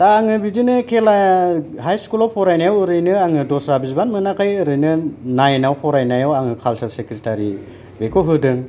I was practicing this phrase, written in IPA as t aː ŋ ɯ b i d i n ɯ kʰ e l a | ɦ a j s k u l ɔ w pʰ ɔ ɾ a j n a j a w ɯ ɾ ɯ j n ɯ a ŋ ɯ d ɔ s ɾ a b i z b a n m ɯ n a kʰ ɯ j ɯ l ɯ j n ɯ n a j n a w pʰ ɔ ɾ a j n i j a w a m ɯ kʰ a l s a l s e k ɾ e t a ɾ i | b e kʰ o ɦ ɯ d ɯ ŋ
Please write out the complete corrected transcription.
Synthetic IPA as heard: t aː ŋ ɯ b i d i n ɯ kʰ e l a | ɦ a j s k u l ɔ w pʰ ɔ ɾ a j n a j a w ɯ ɾ ɯ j n ɯ a ŋ ɯ d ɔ s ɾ a b i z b a n m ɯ n a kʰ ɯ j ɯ ɾ ɯ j n ɯ n a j n a w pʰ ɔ ɾ a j n a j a w a ŋ ɯ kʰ a l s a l s e k ɾ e t a ɾ i | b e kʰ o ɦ ɯ d ɯ ŋ